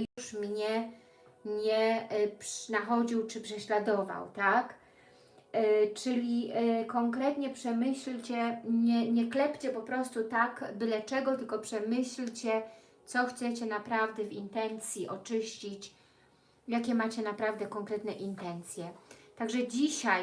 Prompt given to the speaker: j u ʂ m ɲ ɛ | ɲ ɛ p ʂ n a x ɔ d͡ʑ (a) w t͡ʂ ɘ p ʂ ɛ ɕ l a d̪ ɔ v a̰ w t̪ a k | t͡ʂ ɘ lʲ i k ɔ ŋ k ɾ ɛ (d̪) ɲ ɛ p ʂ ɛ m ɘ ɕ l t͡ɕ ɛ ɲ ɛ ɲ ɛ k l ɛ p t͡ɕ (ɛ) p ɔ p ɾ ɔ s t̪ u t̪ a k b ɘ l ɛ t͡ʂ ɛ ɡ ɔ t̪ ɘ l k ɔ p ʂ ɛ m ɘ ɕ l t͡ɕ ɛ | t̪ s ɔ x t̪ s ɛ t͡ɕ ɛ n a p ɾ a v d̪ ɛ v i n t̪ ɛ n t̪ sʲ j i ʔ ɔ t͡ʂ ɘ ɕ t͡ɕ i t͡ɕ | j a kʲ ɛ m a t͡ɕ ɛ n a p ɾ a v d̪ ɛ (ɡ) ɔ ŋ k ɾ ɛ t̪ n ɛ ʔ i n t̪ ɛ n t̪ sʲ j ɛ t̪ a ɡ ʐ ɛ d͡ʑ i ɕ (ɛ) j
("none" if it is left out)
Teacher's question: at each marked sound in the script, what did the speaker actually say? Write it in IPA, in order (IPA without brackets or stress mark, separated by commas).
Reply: i, t̪, ɛ, k, a